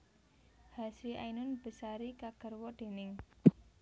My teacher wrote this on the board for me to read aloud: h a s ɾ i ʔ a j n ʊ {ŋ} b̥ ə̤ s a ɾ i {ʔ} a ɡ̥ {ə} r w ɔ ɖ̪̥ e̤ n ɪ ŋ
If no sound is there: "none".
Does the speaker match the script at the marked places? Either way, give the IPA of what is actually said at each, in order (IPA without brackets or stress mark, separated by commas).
n, k, ə